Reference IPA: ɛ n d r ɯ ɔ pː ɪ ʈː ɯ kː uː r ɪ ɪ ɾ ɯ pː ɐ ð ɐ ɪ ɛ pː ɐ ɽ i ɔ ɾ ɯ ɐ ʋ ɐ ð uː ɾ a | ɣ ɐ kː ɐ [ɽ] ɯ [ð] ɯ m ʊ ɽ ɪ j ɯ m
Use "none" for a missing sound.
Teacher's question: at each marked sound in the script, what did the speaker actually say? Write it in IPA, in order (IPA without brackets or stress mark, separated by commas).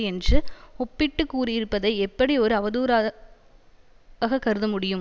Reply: ɾ, ð